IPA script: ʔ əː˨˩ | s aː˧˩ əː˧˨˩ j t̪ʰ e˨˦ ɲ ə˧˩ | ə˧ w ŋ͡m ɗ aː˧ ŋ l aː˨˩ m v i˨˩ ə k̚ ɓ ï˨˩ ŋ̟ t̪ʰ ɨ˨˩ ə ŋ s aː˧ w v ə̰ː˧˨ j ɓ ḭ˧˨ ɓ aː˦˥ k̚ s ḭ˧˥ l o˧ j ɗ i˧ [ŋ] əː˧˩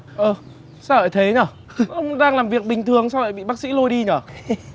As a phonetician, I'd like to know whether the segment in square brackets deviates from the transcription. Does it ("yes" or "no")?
yes